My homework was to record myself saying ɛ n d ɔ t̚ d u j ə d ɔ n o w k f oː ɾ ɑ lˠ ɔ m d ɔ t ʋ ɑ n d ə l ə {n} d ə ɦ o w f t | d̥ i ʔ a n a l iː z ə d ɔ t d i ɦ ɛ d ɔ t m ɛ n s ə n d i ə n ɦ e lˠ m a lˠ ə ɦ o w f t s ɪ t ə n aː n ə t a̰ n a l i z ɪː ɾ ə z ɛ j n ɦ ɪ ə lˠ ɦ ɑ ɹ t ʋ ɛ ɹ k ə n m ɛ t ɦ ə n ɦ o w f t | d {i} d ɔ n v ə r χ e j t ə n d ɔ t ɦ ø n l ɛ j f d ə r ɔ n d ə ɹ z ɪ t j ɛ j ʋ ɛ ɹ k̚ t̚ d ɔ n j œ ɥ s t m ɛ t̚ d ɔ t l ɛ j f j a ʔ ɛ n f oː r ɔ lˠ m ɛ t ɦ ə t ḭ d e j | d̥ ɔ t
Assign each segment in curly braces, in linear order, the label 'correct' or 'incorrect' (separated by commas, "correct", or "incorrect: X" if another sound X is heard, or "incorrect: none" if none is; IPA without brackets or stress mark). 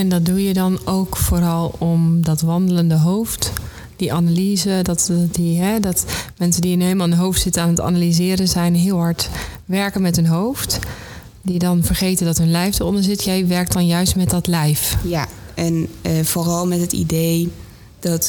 correct, correct